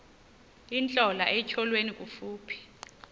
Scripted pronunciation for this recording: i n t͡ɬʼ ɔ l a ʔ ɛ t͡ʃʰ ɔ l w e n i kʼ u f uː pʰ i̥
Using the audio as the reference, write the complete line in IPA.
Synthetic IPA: i n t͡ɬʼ ɔ l a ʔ ɛ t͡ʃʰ ɔ l w e n i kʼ u f uː pʰ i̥

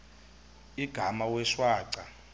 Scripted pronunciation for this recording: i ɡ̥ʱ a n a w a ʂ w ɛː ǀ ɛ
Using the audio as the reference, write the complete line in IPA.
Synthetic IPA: i ɡ̥ʱ a m a w ɛ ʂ w aː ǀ a

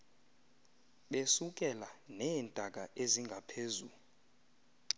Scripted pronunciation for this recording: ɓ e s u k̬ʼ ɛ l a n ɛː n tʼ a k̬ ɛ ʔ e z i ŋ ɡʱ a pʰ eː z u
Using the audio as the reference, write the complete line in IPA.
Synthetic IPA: ɓ e s u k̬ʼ ɛ l a n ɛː n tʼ a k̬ a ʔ e z i ŋ ɡʱ a pʰ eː z u

